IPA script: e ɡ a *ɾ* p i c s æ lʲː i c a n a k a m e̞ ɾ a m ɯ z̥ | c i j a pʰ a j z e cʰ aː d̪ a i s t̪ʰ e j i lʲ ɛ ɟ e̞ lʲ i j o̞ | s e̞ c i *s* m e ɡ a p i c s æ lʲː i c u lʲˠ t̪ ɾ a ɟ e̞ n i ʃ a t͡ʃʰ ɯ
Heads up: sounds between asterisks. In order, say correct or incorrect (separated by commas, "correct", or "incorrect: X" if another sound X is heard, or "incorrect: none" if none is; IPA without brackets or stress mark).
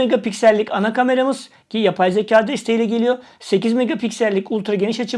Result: incorrect: none, incorrect: z